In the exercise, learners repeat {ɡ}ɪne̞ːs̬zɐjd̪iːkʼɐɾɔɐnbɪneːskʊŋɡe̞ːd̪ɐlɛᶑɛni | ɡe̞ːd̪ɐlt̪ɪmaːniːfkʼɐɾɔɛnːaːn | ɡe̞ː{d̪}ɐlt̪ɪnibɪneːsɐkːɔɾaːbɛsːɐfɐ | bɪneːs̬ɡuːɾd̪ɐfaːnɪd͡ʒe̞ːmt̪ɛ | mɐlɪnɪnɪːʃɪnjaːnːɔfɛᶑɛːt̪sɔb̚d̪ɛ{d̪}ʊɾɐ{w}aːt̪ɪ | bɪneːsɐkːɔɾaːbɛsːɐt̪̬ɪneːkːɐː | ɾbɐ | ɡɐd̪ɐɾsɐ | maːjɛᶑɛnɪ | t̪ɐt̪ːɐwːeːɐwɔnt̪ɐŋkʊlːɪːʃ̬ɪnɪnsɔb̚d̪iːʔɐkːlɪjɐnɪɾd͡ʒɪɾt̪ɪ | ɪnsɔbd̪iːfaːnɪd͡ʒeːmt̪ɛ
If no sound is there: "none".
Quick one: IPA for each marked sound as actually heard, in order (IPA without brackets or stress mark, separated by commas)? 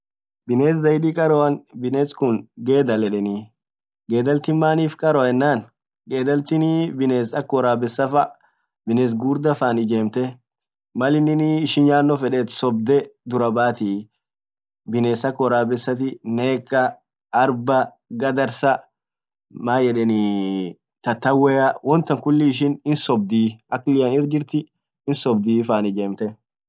b, d̪, d̪, b